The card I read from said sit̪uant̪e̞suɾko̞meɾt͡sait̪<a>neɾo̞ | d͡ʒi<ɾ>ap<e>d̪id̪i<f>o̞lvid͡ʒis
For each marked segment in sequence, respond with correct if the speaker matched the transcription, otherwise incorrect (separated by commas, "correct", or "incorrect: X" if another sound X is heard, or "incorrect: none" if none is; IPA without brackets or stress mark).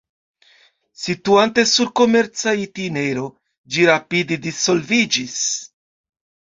incorrect: i, correct, incorrect: i, incorrect: s